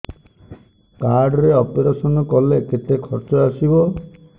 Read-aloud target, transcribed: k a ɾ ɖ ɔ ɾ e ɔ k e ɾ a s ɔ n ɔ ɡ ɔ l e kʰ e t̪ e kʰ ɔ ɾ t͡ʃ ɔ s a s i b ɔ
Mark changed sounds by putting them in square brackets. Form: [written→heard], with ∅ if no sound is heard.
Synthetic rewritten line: k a ɾ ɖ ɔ ɾ e ɔ [k→p] e ɾ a s ɔ n ɔ [ɡ→k] ɔ l e [kʰ→k] e t̪ e kʰ ɔ ɾ t͡ʃ ɔ [s→∅] a s i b ɔ